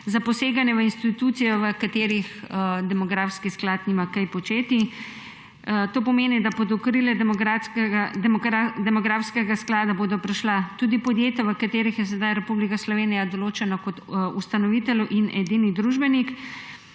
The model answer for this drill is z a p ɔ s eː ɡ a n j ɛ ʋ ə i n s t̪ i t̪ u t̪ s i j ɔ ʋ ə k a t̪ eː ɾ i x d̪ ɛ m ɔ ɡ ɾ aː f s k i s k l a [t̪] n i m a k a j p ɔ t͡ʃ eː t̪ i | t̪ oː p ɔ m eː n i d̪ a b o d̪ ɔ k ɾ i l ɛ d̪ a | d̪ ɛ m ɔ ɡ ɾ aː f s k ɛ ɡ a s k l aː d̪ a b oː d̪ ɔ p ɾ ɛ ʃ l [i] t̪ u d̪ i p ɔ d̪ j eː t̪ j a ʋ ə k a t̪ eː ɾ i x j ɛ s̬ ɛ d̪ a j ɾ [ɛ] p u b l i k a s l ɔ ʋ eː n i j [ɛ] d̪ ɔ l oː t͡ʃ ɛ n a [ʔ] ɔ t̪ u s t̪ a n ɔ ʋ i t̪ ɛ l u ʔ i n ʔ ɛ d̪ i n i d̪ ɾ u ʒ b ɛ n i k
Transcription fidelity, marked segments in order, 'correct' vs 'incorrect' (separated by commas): correct, incorrect, correct, incorrect, incorrect